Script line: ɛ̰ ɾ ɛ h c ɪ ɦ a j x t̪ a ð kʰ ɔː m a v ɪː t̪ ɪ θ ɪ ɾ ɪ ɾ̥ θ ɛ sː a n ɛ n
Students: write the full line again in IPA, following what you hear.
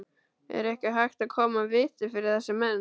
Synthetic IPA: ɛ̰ ɾ ɛ h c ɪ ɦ a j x t̪ a ð kʰ ɔː m a v ɪː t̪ ɪ f ɪ ɾ ɪ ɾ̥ θ ɛ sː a m ɛ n